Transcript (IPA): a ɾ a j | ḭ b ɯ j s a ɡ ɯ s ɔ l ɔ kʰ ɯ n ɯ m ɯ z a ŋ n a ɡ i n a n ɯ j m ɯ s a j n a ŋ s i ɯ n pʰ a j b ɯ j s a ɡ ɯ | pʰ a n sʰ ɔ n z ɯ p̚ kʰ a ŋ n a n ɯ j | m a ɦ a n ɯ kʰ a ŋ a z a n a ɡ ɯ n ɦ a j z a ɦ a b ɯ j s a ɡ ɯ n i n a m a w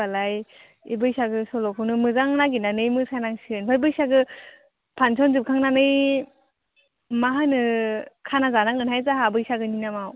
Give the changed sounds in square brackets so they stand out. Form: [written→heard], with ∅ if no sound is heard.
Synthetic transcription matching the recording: a [ɾ→l] a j | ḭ b ɯ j s a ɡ ɯ s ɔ l ɔ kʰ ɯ n ɯ m ɯ z a ŋ n a ɡ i n a n ɯ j m ɯ s a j n a ŋ s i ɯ n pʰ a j b ɯ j s a ɡ ɯ | pʰ a n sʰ ɔ n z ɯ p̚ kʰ a ŋ n a n ɯ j | m a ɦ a n ɯ kʰ a [ŋ→n] a z a n a [ɡ→ŋ] ɯ n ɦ a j z a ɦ a b ɯ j s a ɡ ɯ n i n a m a w